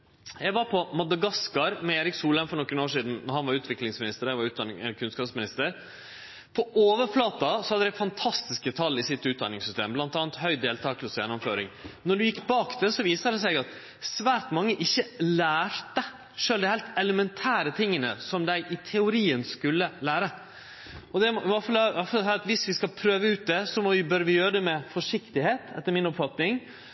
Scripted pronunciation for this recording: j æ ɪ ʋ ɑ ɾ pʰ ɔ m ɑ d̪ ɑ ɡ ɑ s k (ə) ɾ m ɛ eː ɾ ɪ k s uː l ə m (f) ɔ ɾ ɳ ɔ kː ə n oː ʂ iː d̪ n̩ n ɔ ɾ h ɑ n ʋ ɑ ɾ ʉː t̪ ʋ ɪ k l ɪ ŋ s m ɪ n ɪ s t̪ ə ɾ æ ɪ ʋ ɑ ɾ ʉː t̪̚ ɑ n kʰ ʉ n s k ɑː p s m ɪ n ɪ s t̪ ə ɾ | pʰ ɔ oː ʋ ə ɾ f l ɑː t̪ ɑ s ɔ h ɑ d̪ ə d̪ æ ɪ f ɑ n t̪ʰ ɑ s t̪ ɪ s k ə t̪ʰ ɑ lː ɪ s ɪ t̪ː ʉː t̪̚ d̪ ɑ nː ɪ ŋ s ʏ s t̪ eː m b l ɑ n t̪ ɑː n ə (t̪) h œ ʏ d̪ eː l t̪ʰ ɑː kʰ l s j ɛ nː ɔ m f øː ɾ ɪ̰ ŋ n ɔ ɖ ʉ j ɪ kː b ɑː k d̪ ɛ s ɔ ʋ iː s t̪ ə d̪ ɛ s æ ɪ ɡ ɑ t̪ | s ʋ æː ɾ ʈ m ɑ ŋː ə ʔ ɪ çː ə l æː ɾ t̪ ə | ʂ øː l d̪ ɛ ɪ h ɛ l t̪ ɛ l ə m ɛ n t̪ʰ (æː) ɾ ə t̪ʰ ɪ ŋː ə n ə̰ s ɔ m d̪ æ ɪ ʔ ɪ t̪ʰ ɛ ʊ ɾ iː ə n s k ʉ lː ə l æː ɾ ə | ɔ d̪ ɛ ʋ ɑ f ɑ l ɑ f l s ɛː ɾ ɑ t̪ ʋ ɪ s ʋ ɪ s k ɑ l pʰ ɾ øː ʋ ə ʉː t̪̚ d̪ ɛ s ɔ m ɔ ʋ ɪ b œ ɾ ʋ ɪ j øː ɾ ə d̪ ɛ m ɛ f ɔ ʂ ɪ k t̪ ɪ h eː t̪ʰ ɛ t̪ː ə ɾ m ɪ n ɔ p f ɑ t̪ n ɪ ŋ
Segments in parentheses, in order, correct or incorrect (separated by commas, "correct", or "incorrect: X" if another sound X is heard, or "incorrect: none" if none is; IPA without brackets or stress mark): incorrect: ɑ, correct, correct, correct